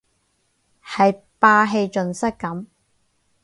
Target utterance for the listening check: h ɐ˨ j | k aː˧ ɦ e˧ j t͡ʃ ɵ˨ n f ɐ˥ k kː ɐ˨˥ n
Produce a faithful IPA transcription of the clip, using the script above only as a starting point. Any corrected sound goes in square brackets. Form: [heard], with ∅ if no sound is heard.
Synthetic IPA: h ɐ˨ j | [p] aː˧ ɦ e˧ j t͡ʃ ɵ˨ n [s] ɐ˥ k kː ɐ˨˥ [m]